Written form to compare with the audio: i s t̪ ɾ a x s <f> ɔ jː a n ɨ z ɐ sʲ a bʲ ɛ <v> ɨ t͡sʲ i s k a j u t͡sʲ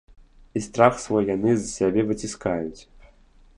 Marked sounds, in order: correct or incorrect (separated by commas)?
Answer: incorrect, correct